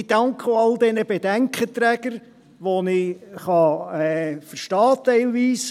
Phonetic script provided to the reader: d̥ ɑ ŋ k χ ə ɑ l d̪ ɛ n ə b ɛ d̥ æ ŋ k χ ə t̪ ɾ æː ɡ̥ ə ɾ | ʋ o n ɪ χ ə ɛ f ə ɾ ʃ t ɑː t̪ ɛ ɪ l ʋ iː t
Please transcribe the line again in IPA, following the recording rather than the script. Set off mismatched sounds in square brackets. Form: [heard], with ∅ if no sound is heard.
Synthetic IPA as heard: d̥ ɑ ŋ k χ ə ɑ l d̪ ɛ n ə b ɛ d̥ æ ŋ k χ ə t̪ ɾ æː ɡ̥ ə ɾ | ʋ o n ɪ χ [ɑ] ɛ f ə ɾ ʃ t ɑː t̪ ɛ ɪ l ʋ iː [s]